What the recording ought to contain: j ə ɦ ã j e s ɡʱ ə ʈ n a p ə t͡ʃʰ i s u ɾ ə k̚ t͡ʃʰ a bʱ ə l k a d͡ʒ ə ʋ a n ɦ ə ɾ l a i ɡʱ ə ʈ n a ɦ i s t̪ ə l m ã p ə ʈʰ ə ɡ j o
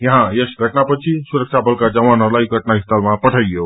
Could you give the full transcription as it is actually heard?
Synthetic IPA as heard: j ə ɦ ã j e s ɡʱ ə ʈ n a p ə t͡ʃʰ i s u ɾ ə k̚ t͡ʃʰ a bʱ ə l k a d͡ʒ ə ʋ a n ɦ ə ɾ l a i ɡʱ ə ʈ n a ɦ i s t̪ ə l m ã p ə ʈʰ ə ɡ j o